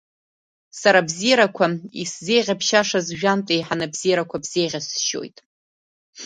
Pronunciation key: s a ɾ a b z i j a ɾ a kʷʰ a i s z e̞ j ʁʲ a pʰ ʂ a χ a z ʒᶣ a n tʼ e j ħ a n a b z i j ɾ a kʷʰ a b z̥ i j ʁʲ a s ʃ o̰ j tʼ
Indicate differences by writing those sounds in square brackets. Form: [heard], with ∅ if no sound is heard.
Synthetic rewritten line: s a ɾ a b z i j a ɾ a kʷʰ a i s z e̞ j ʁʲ a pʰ [ʃ] a [ʂ] a z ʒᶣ a n tʼ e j ħ a n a b z i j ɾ a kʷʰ a b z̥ [e] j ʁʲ a s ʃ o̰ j tʼ